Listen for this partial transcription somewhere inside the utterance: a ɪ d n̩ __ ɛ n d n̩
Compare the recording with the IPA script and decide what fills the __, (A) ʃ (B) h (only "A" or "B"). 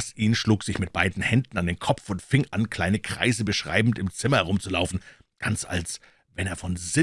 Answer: B